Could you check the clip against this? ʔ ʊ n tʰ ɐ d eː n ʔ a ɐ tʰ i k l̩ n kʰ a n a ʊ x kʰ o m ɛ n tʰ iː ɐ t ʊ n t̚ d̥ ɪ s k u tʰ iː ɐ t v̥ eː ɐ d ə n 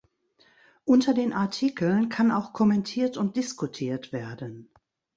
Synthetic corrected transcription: ʔ ʊ n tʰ ɐ d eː n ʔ a ɐ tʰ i k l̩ n kʰ a n a ʊ x kʰ ɔ m ɛ n tʰ iː ɐ t ʊ n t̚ d̥ ɪ s k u tʰ iː ɐ t v̥ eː ɐ d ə n